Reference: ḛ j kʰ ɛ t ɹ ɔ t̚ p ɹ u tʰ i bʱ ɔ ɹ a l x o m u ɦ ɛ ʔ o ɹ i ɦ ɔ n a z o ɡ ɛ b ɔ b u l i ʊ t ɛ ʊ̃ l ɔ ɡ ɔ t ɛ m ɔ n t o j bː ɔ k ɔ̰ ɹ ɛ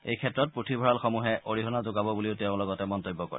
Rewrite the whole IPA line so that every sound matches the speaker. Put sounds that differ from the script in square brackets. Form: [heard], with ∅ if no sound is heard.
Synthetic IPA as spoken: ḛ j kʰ ɛ t ɹ ɔ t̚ p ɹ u tʰ i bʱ ɔ ɹ a l x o m u ɦ ɛ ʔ o ɹ i ɦ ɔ n a z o ɡ [a] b ɔ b u l i ʊ t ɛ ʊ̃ l ɔ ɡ ɔ t ɛ m ɔ n t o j bː ɔ k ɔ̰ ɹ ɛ

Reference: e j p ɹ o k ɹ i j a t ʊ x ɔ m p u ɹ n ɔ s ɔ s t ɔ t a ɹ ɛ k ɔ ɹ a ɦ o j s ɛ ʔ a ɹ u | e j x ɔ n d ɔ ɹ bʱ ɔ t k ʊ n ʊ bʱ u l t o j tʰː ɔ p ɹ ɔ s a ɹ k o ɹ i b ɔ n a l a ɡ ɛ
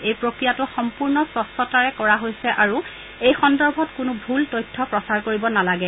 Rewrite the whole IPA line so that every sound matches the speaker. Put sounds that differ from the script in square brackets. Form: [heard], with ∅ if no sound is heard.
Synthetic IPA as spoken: e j p ɹ o k ɹ i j a t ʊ x ɔ m p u ɹ n ɔ s ɔ s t ɔ t a ɹ ɛ k ɔ ɹ a ɦ o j s ɛ ʔ a ɹ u | e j x ɔ n d ɔ ɹ bʱ ɔ t k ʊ n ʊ bʱ u l t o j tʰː ɔ p ɹ ɔ s a ɹ k o ɹ i b ɔ n a l a ɡ ɛ

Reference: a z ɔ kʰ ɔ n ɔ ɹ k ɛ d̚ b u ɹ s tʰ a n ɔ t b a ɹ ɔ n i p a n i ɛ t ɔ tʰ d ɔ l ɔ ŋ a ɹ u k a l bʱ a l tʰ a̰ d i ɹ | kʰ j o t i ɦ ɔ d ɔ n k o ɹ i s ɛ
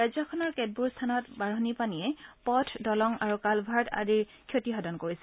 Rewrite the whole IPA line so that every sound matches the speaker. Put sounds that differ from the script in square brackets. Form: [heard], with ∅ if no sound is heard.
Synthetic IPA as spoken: a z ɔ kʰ ɔ n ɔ ɹ k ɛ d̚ b u ɹ s tʰ a n ɔ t b a ɹ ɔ n i p a n i ɛ [p] ɔ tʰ d ɔ l ɔ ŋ a ɹ u k a l bʱ a [ɹ] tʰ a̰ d i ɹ | kʰ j o t i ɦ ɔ d ɔ n k o ɹ i s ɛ

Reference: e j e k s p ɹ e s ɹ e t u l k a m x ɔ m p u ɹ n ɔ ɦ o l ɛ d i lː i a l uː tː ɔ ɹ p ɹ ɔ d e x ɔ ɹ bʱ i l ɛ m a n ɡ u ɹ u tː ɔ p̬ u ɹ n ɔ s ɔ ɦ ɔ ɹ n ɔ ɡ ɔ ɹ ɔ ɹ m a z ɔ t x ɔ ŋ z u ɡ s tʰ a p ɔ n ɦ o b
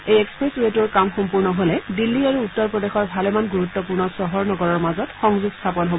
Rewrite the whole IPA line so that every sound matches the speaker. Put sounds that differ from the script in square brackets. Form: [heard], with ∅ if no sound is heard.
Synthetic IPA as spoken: e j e k s p ɹ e s ɹ e t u [ɹ] k a m x ɔ m p u ɹ n ɔ ɦ o l ɛ d i lː i a [ɹ] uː tː ɔ ɹ p ɹ ɔ d e x ɔ ɹ bʱ [a] l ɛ m a n ɡ u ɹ u tː ɔ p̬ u ɹ n ɔ s ɔ ɦ ɔ ɹ n ɔ ɡ ɔ ɹ ɔ ɹ m a z ɔ t x ɔ ŋ z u ɡ s tʰ a p ɔ n ɦ o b

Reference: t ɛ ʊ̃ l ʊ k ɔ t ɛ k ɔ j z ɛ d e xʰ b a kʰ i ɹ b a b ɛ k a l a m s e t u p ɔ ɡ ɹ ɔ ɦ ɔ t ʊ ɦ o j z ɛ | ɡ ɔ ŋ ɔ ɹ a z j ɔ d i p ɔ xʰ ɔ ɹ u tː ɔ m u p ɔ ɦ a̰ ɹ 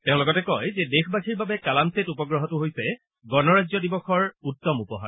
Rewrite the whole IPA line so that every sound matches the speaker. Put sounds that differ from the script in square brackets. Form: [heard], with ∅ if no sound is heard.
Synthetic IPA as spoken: t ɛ ʊ̃ l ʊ k ɔ t ɛ k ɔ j z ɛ d e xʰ b a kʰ i ɹ b a b ɛ k a l a m s e t u p ɔ ɡ ɹ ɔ ɦ ɔ t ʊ ɦ o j [s] ɛ | ɡ ɔ [n] ɔ ɹ a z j ɔ d i [b] ɔ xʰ ɔ ɹ u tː ɔ m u p ɔ ɦ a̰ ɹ

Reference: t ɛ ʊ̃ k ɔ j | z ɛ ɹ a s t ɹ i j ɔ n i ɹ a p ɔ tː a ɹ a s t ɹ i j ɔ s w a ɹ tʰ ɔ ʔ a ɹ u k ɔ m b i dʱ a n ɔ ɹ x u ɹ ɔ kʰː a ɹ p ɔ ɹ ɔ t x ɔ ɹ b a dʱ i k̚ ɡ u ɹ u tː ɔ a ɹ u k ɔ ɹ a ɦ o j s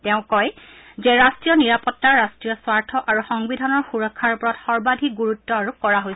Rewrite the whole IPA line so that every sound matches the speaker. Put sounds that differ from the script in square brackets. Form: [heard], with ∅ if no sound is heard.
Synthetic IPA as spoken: t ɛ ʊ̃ k ɔ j | z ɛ ɹ a s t ɹ i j ɔ n i ɹ a p ɔ tː a ɹ a s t ɹ i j ɔ s w a ɹ tʰ ɔ ʔ a ɹ u [x] ɔ [ŋ] b i dʱ a n ɔ ɹ x u ɹ ɔ kʰː a ɹ p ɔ ɹ ɔ t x ɔ ɹ b a dʱ i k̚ ɡ u ɹ u tː ɔ a ɹ u k ɔ ɹ a ɦ o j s

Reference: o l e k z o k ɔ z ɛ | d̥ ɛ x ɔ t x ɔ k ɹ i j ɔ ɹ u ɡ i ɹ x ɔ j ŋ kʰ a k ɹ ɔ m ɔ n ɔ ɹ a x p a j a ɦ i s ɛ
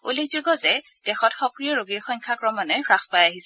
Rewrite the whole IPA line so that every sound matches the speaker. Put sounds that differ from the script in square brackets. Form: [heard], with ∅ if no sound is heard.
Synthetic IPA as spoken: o l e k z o [ɡ] ɔ z ɛ | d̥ ɛ x ɔ t x ɔ k ɹ i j ɔ ɹ [o] ɡ i ɹ x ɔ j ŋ kʰ a k ɹ ɔ m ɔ n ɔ ɹ a x p a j a ɦ i s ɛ

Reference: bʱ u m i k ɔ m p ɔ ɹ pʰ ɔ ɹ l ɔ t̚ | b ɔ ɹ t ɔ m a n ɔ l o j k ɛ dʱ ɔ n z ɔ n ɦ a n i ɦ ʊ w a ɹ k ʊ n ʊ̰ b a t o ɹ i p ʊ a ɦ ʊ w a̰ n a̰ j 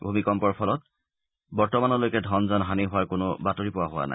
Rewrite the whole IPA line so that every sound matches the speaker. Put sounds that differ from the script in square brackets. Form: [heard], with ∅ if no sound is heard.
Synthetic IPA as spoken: bʱ u m i k ɔ m p ɔ ɹ pʰ ɔ [∅] l ɔ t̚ | b ɔ ɹ t ɔ m a n ɔ l o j k ɛ dʱ ɔ n z ɔ n ɦ a n i ɦ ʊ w a ɹ k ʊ n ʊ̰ b a t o ɹ i p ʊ a ɦ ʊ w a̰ n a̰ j

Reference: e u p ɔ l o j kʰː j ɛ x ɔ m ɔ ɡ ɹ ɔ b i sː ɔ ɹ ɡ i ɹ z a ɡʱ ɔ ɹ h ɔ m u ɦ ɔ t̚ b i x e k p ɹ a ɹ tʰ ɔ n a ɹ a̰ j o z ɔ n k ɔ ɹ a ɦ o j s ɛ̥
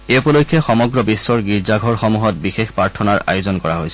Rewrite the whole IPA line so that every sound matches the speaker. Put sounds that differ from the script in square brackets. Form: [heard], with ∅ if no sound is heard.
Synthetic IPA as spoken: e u p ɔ l o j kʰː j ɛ x ɔ m ɔ ɡ ɹ ɔ b i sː ɔ ɹ ɡ i ɹ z a ɡʱ ɔ ɹ [x] ɔ m u ɦ ɔ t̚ b i x e [x] p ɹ a ɹ tʰ ɔ n a ɹ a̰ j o z ɔ n k ɔ ɹ a ɦ o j s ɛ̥

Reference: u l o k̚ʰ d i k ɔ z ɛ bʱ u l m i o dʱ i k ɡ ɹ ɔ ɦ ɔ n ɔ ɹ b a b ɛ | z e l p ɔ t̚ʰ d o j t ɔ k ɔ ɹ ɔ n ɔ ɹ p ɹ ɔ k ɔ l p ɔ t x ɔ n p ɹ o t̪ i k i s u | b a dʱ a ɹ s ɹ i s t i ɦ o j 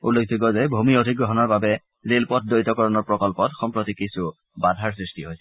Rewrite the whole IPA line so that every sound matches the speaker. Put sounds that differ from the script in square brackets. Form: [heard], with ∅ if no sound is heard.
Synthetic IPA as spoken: u l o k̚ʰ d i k ɔ z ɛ bʱ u [∅] m i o dʱ i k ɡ ɹ ɔ ɦ ɔ n ɔ ɹ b a b ɛ | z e l p ɔ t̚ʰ d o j t ɔ k ɔ ɹ ɔ n ɔ ɹ p ɹ ɔ k ɔ l p ɔ t x ɔ [m] p ɹ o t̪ i k i s u | b a dʱ a ɹ s ɹ i s t i ɦ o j

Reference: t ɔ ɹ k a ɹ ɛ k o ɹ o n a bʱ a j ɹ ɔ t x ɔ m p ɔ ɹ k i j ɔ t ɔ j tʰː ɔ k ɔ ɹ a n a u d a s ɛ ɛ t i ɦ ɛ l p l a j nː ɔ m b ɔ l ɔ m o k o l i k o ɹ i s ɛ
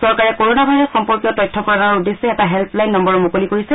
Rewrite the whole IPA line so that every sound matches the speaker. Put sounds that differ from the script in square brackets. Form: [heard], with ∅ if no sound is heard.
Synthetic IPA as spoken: [s] ɔ ɹ k a ɹ ɛ k o ɹ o n a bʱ a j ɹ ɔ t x ɔ m p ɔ ɹ k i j ɔ t ɔ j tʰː ɔ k ɔ ɹ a n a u d [e] s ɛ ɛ t [a] ɦ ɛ l p l a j nː ɔ m b ɔ [ɹ] ɔ m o k o l i k o ɹ i s ɛ

